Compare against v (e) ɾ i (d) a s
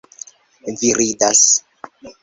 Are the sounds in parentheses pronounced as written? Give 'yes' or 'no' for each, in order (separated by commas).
no, yes